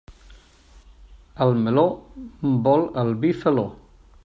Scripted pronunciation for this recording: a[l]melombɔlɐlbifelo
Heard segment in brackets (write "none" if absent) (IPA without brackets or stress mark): l